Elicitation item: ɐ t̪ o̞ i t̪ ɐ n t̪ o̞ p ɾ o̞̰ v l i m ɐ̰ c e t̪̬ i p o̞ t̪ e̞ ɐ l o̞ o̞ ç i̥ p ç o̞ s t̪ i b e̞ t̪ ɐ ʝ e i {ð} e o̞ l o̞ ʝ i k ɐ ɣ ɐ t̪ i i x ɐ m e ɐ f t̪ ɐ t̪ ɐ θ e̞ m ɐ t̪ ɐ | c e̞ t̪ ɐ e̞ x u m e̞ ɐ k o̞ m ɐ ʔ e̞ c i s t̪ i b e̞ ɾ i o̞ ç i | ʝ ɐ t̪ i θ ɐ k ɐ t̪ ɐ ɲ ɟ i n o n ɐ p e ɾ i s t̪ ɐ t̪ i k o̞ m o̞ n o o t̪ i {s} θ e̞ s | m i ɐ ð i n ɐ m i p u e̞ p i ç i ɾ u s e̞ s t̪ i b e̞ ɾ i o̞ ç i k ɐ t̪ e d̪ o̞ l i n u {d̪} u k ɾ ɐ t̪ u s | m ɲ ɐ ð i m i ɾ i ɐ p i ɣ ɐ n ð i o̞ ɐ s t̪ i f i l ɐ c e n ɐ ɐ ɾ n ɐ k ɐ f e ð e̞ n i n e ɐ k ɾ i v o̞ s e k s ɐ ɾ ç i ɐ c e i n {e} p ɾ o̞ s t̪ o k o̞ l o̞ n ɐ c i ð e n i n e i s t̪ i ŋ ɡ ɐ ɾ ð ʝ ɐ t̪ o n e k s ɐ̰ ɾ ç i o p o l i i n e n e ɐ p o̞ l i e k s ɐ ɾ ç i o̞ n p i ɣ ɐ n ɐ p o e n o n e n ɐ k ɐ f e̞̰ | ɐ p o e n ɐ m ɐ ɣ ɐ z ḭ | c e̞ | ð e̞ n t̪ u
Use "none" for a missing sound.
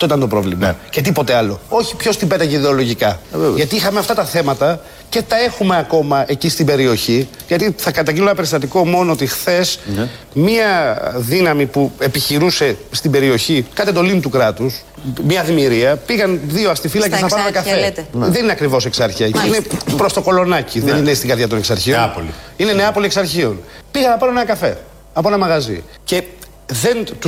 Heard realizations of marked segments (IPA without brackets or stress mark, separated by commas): ð, x, t̪, e